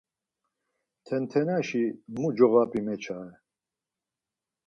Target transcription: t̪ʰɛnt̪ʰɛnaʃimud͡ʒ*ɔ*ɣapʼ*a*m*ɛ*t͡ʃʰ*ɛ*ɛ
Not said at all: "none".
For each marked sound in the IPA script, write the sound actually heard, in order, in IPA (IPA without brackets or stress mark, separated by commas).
ɔ, i, ɛ, a